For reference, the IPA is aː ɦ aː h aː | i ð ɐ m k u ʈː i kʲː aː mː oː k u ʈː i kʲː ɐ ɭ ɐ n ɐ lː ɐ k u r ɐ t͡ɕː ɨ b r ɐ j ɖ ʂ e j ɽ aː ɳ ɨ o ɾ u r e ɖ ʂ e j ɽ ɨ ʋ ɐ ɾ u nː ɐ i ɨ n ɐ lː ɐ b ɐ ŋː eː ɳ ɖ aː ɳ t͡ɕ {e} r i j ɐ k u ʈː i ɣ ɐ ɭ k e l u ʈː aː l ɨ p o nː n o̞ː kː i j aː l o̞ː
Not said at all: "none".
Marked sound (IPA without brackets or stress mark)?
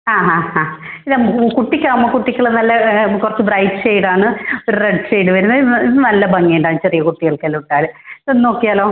e